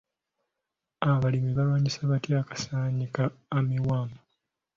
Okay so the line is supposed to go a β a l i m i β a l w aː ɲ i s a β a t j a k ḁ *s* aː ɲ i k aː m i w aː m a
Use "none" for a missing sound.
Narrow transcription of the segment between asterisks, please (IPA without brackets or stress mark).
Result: s